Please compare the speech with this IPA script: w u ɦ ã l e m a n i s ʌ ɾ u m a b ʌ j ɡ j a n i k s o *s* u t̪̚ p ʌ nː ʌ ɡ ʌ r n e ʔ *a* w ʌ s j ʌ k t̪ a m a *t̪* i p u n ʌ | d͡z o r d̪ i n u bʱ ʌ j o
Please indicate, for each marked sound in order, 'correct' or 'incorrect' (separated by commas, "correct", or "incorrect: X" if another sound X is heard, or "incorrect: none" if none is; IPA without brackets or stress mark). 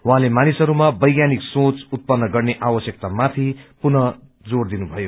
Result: incorrect: t͡s, correct, incorrect: t̪ʰ